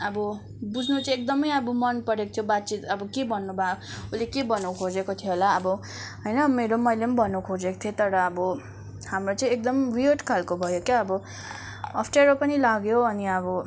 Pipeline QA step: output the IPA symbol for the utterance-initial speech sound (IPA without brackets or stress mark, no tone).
ʌ